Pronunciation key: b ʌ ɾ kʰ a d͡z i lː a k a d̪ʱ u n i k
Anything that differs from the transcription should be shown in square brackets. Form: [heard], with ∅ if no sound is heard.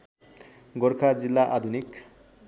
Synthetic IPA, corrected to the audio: [ɡ] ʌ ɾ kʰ a d͡z i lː a [ʔ] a d̪ʱ u n i k